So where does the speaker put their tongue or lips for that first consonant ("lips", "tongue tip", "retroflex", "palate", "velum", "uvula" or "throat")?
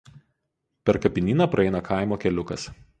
lips